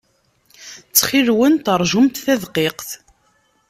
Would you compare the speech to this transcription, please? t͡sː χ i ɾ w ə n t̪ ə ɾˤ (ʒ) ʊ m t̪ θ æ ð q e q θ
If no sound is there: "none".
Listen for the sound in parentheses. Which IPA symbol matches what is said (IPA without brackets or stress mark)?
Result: ʒ